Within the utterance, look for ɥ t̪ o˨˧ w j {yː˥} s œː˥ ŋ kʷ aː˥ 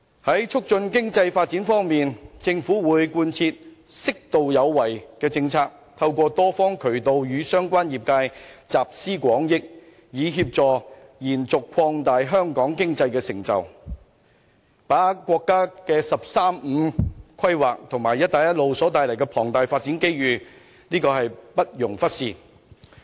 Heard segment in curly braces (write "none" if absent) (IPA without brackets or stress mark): yː˨˧